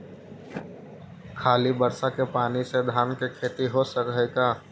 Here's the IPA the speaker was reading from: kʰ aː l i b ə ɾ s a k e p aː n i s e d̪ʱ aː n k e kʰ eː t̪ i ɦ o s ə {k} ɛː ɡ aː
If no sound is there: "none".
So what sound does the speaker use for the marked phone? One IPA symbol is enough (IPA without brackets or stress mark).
k